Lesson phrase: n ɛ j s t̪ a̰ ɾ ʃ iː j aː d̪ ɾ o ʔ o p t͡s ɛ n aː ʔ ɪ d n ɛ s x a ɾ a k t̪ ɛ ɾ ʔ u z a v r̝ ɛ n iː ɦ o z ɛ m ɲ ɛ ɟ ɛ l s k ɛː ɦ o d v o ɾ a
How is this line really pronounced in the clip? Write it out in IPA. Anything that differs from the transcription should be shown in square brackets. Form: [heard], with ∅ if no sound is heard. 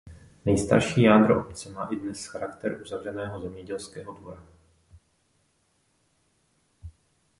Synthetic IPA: n ɛ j s t̪ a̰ ɾ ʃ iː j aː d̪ ɾ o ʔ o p t͡s ɛ [m] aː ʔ ɪ d n ɛ s x a ɾ a k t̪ ɛ ɾ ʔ u z a v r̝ ɛ n [ɛː] ɦ o z ɛ m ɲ ɛ ɟ ɛ l s k ɛː ɦ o d v o ɾ a